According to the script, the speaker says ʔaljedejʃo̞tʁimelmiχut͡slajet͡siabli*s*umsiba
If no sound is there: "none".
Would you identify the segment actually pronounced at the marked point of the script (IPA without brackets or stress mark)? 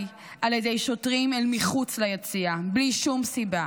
ʃ